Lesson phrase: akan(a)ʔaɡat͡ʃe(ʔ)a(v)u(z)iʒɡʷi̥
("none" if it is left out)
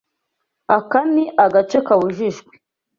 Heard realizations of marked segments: i, k, w, ʒ

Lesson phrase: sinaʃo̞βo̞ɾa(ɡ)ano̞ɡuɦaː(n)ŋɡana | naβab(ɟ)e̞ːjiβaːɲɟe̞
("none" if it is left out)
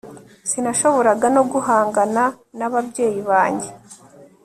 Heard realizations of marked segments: ɡ, none, ɟ

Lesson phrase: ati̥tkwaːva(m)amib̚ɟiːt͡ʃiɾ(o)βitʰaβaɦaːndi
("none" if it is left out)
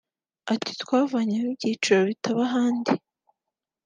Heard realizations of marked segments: ɲ, o

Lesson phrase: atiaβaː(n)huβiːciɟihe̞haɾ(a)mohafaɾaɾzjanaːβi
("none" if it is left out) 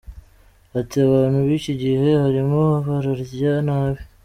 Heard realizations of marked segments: n, i

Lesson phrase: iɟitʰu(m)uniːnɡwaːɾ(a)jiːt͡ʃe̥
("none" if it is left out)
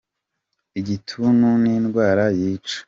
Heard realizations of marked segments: n, a

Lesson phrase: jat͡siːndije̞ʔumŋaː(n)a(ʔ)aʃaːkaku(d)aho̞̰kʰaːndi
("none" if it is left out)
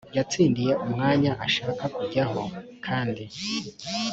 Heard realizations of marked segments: ɲ, ʔ, ɟ

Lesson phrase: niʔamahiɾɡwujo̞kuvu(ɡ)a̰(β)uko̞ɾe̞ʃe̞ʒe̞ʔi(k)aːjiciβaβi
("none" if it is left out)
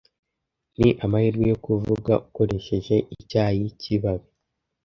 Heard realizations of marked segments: ɡ, none, c

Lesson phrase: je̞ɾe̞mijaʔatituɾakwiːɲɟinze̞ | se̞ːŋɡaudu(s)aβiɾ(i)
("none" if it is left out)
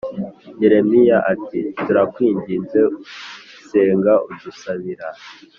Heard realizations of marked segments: s, a

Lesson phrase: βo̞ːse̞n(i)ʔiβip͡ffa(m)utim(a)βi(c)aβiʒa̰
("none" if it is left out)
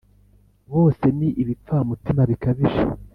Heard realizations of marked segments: i, m, a, k

